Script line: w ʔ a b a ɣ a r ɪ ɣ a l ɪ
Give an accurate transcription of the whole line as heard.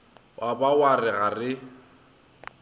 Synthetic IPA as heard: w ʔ a b a w a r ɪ ɣ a r ɪ